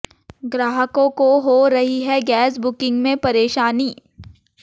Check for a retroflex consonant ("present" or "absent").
absent